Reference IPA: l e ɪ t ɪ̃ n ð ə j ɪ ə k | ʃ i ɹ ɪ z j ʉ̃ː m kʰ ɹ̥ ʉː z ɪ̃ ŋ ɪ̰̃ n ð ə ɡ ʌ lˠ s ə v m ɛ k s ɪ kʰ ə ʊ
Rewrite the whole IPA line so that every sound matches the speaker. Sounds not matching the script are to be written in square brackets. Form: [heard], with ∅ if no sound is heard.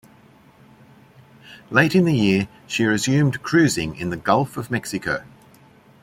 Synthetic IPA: l e ɪ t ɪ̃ n ð ə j ɪ ə [∅] | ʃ i ɹ ɪ z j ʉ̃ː m kʰ ɹ̥ ʉː z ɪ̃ ŋ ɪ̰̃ n ð ə ɡ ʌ lˠ [f] ə v m ɛ k s ɪ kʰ ə ʊ